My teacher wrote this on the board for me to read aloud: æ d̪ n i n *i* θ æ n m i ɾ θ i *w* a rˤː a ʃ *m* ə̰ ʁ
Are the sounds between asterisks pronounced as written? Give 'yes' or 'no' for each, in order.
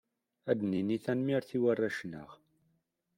yes, yes, no

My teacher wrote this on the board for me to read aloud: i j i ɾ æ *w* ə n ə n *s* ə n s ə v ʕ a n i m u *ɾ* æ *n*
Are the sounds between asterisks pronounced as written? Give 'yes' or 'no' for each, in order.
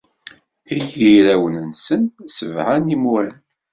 yes, yes, yes, yes

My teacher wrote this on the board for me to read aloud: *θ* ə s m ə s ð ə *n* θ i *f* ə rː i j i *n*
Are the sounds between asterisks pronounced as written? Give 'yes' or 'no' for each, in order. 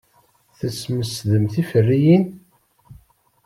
yes, no, yes, yes

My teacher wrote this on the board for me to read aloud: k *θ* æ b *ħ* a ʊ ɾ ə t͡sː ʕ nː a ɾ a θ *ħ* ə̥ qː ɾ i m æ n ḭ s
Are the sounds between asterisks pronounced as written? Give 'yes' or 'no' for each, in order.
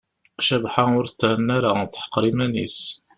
no, yes, yes

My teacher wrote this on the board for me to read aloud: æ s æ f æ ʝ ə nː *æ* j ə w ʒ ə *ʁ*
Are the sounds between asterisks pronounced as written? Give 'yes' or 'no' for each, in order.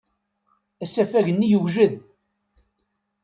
no, no

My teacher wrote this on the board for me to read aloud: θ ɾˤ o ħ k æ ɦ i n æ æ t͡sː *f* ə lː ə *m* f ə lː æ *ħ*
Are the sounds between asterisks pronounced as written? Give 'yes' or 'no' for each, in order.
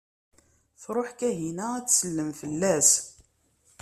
no, yes, no

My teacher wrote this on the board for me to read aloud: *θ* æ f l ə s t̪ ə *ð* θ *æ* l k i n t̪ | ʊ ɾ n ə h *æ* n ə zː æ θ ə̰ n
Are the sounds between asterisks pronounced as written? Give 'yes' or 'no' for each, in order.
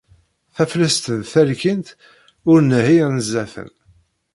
yes, yes, yes, no

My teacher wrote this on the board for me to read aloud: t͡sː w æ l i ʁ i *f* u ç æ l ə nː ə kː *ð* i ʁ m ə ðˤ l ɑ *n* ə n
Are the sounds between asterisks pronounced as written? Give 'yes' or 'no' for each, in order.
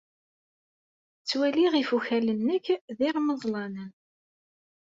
yes, yes, yes

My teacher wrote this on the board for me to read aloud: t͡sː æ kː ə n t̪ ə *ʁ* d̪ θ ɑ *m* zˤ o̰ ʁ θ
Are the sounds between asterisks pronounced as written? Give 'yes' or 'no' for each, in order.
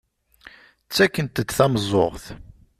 no, yes

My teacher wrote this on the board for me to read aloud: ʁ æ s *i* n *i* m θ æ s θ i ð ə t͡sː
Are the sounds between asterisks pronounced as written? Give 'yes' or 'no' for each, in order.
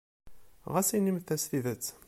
yes, yes

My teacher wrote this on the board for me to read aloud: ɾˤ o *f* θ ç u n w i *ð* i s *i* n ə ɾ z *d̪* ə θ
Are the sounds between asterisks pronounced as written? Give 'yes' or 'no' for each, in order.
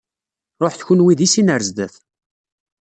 no, yes, yes, yes

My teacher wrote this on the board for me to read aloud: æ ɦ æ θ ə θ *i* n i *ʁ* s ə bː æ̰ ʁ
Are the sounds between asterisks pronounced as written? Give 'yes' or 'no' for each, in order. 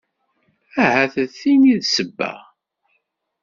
yes, no

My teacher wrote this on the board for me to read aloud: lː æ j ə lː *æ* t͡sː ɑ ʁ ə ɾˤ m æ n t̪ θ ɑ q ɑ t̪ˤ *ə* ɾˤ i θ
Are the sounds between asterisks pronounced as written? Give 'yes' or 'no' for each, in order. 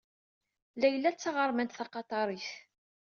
yes, no

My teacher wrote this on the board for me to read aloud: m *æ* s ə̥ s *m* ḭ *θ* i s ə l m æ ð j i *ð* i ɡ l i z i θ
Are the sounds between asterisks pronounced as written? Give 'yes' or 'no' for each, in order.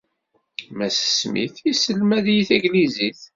yes, yes, yes, no

